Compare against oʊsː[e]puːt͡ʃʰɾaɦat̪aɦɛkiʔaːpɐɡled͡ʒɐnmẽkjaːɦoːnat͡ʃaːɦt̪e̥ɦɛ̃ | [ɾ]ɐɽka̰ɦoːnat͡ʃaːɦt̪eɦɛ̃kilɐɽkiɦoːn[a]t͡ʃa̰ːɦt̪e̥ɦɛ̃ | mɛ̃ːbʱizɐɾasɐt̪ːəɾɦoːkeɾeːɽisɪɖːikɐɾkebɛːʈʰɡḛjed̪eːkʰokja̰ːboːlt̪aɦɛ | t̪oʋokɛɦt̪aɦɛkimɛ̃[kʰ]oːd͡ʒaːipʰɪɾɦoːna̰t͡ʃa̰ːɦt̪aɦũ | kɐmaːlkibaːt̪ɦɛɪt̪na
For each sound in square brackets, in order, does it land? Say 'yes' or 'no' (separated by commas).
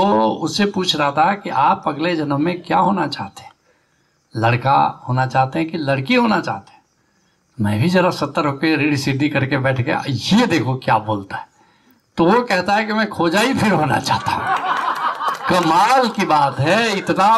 yes, no, yes, yes